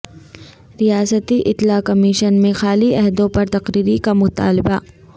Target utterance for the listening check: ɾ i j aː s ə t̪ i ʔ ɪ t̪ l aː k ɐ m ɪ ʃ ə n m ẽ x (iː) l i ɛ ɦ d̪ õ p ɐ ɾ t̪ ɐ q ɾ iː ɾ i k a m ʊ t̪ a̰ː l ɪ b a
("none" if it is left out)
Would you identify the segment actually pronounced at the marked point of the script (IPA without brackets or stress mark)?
aː